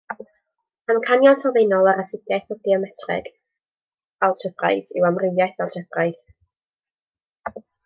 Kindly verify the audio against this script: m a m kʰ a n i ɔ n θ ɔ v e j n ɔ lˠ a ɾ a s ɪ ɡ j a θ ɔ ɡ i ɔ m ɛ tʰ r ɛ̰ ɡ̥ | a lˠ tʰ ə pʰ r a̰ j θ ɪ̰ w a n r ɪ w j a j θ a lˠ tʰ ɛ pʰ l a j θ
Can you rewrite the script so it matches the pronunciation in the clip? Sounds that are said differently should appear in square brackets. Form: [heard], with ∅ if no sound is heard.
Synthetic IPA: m a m kʰ a n [j] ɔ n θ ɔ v e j n ɔ lˠ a ɾ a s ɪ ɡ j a θ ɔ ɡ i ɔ m ɛ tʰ r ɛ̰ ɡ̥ | a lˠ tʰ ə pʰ r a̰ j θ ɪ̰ w a [m] r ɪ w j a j θ a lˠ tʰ ɛ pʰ [r] a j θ

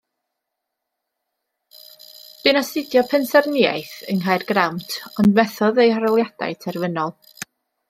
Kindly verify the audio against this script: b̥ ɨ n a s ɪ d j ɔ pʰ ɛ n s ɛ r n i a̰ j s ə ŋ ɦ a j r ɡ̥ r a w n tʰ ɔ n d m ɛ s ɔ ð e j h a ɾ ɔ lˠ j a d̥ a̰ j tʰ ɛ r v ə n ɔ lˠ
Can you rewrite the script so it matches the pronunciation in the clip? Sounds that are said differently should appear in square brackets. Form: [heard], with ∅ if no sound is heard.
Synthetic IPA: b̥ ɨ n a s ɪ d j ɔ pʰ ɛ n s ɛ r n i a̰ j [θ] ə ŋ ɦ a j r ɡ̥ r a w n tʰ ɔ n d m ɛ [θ] ɔ ð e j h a ɾ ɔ lˠ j a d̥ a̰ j tʰ ɛ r v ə n ɔ lˠ

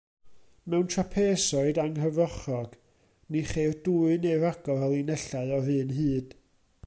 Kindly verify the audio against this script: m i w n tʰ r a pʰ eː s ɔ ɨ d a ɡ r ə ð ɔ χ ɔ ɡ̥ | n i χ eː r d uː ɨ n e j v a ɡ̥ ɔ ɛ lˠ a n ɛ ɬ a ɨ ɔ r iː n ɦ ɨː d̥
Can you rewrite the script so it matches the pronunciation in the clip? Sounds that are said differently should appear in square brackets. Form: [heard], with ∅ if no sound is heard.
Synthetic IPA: m [ɛ] w n tʰ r a pʰ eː s ɔ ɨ d a [ŋ] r ə [v] ɔ χ ɔ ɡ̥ | n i χ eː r d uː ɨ n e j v a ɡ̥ ɔ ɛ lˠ [i] n ɛ ɬ a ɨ ɔ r [ɨː] n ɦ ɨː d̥

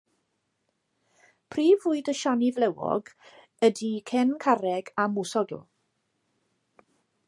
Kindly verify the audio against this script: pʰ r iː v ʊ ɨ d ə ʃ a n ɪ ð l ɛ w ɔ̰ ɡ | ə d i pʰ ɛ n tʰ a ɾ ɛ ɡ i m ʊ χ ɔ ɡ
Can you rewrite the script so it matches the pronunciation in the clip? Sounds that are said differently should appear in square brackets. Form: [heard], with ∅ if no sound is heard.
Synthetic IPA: pʰ r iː v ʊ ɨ d ə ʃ a n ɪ [v] l ɛ w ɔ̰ ɡ | ə d i [kʰ] ɛ n [kʰ] a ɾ ɛ ɡ [a] m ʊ [s] ɔ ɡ

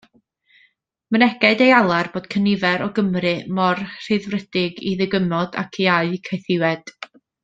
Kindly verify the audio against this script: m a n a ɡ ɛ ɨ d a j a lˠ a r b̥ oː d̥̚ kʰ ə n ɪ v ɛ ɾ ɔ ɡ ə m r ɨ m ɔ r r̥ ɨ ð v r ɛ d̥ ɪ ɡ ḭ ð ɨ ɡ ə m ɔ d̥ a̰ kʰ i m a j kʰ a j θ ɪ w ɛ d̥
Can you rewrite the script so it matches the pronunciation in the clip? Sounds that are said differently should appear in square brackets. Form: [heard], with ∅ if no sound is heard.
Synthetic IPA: m [ə] n [ɛ] ɡ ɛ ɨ d [e] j a lˠ a r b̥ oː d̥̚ kʰ ə n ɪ v ɛ ɾ ɔ ɡ ə m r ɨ m ɔ r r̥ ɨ ð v r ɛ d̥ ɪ ɡ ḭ ð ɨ ɡ ə m ɔ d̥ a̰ kʰ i [∅] a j kʰ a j θ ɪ w ɛ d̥

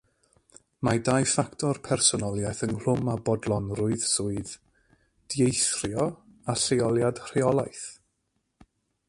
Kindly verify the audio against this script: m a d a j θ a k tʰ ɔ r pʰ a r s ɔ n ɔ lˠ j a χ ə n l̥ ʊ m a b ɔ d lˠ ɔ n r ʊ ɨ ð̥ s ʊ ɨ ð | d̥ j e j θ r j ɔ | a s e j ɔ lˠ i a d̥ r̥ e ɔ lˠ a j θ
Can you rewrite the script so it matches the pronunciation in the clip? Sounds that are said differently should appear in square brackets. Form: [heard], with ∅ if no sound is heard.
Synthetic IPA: m a d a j [f] a k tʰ ɔ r pʰ [ɛ] r s ɔ n ɔ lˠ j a [θ] ə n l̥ ʊ m a b ɔ d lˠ ɔ n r ʊ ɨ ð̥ s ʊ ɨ ð | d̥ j e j θ r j ɔ | a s e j ɔ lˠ [j] a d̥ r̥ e ɔ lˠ a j θ

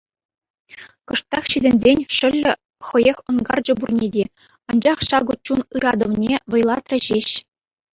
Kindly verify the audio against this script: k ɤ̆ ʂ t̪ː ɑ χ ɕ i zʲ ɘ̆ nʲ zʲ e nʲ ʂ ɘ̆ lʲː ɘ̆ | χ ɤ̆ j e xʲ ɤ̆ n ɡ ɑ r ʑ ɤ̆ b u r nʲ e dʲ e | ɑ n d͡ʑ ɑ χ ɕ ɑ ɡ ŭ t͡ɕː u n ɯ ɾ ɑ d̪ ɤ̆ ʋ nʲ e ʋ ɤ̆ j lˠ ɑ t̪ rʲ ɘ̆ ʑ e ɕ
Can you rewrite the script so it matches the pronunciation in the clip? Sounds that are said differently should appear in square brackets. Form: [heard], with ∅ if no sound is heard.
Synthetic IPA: k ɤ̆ ʂ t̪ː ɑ χ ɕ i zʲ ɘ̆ nʲ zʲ e nʲ ʂ ɘ̆ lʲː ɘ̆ | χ ɤ̆ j e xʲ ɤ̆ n ɡ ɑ r [d͡ʑ] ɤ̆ b u r nʲ e dʲ e | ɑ n d͡ʑ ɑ χ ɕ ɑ ɡ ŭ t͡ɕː u n ɯ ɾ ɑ d̪ ɤ̆ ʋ nʲ e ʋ ɤ̆ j lˠ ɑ t̪ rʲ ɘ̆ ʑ e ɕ

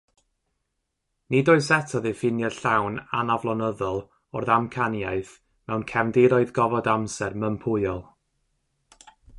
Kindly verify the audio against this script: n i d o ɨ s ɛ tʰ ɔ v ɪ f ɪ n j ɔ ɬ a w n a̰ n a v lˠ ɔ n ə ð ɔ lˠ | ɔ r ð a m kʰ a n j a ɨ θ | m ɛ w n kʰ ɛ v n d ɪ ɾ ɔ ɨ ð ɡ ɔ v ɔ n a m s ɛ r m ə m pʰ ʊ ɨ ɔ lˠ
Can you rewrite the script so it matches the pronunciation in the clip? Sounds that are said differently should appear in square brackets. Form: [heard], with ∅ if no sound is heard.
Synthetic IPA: n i d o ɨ s ɛ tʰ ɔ [ð] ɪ f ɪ n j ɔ ɬ a w n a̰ n a v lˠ ɔ n ə ð ɔ lˠ | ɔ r ð a m kʰ a n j a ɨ θ | m ɛ w n kʰ ɛ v n d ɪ ɾ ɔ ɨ ð ɡ ɔ v ɔ [d] a m s ɛ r m ə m pʰ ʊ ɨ ɔ lˠ

